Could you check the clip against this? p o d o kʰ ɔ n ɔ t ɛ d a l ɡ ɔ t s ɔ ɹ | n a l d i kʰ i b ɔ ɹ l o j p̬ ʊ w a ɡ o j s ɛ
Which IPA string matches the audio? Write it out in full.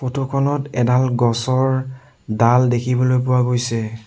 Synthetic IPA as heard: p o t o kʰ ɔ n ɔ t ɛ d a l ɡ ɔ s ɔ ɹ | d a l d e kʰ i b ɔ l o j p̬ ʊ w a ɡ o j s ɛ